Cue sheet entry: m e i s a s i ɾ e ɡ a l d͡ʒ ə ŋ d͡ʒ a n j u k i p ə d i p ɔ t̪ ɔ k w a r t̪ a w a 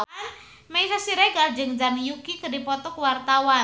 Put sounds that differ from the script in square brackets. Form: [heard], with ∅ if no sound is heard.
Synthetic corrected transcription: m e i s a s i ɾ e ɡ a l d͡ʒ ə ŋ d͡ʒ a n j u k i [k] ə d i p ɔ t̪ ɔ k w a r t̪ a w a